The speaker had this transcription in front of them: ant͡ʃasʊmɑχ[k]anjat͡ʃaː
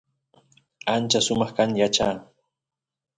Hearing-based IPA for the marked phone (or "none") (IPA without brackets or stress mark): k